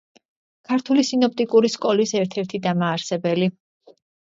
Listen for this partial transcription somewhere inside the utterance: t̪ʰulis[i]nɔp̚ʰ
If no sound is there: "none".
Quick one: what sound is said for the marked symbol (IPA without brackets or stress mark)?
i